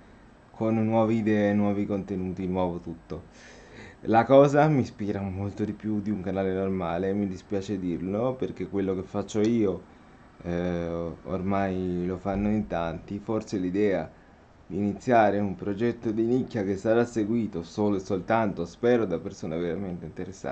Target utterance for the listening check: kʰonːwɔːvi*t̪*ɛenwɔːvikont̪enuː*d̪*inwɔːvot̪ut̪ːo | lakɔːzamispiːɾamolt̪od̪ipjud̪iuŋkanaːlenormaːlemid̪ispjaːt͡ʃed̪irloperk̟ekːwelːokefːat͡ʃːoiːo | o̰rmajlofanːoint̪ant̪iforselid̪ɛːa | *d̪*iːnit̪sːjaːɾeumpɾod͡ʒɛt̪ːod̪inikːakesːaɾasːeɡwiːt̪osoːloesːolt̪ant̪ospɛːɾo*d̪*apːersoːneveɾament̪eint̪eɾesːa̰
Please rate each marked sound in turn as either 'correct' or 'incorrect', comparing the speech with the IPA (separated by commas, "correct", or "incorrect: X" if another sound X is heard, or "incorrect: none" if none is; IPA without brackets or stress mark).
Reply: incorrect: d̪, incorrect: t̪, correct, correct